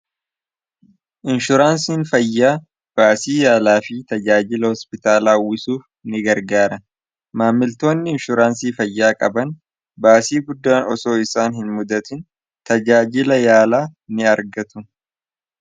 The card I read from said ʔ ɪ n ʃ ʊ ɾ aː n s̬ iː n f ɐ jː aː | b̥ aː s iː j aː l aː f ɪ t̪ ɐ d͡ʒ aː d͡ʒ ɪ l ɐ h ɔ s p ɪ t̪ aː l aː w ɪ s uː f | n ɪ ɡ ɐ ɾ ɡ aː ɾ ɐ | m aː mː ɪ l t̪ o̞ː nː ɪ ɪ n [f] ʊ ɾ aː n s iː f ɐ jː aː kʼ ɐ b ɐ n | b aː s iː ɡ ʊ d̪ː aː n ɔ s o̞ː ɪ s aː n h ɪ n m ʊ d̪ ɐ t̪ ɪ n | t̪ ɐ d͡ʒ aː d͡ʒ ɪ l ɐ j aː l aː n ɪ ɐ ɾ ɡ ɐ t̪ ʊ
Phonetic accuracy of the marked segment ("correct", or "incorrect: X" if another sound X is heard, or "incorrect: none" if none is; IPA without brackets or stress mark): incorrect: ʃ